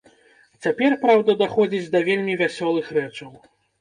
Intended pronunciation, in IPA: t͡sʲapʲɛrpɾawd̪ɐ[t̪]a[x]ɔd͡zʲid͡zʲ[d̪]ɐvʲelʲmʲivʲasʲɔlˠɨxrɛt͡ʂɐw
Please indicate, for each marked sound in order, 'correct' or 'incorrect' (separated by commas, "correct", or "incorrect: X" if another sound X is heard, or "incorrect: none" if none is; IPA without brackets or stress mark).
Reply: incorrect: d̪, correct, correct